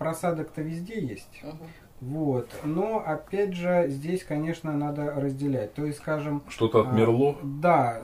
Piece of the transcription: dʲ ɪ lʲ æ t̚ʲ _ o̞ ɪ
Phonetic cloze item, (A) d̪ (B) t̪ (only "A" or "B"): B